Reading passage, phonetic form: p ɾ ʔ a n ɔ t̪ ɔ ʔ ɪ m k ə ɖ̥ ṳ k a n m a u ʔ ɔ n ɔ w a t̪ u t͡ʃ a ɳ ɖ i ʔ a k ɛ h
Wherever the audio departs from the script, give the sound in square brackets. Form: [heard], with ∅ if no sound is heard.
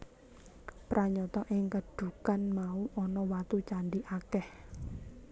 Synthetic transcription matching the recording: p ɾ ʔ a [ɲ] ɔ t̪ ɔ ʔ ɪ [ŋ] k ə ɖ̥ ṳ k a n m a u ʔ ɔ n ɔ w a t̪ u t͡ʃ a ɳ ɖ i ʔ a k ɛ h